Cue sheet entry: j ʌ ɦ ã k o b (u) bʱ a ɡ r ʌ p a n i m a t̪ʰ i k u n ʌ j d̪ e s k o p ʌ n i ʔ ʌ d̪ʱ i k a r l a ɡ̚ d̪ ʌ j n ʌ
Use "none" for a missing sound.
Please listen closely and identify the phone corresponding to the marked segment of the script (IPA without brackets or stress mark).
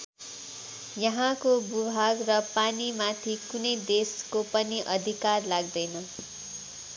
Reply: u